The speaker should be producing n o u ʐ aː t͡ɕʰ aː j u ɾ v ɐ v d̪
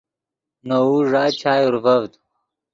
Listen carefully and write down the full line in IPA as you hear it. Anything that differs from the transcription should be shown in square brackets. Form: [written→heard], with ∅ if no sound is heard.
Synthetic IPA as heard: n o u ʐ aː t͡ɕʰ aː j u ɾ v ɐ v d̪